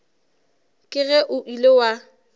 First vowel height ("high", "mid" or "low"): high